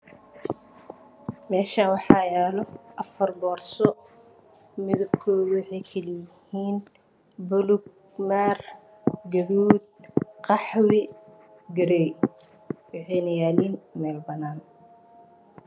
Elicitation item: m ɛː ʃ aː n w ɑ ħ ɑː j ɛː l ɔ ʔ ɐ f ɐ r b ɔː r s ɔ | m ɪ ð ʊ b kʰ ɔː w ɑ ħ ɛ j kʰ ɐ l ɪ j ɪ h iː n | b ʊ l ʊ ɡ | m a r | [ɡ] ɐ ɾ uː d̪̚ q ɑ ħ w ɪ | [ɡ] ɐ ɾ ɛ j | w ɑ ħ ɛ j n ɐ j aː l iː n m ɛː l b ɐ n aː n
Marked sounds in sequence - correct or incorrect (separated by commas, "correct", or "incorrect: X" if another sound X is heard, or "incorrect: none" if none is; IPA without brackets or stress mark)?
correct, correct